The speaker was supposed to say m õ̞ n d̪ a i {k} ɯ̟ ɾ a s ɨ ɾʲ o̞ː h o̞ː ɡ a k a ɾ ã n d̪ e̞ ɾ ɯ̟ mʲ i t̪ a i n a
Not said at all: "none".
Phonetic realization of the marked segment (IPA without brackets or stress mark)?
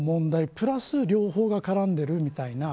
p